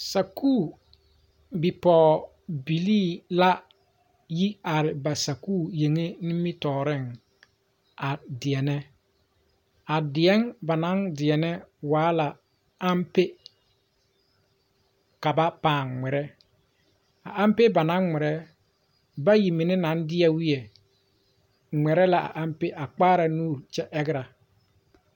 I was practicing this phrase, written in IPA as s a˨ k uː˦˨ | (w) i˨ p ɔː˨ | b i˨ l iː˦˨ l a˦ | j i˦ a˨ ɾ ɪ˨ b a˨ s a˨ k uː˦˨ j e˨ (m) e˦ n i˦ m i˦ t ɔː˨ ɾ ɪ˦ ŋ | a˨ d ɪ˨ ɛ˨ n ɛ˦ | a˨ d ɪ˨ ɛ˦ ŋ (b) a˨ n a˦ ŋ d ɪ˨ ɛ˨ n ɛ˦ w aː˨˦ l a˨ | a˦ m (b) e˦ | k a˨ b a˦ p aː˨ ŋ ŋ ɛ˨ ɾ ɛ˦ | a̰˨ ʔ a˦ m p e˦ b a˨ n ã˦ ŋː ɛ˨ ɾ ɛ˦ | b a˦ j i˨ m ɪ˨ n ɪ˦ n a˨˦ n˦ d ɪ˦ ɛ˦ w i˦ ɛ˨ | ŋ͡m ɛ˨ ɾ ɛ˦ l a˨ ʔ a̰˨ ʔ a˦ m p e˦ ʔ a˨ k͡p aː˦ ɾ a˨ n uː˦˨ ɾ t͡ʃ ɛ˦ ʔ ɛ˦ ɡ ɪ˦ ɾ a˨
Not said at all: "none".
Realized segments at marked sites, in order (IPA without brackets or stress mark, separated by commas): b, ŋ, b, p